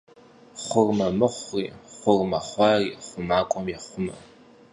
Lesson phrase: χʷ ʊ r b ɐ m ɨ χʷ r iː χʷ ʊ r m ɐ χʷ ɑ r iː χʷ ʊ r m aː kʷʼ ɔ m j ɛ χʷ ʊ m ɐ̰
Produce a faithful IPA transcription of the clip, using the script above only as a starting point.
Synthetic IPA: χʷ ʊ r m ɐ m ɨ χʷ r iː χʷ ʊ r m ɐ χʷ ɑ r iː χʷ ʊ m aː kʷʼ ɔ m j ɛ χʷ ʊ m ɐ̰